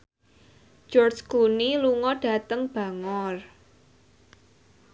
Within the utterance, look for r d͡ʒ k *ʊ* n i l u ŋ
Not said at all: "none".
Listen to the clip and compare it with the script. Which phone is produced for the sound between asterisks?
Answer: u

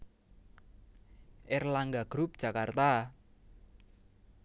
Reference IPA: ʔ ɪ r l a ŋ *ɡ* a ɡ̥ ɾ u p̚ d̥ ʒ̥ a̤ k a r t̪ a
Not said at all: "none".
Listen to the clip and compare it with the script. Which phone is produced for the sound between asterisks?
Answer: ɡ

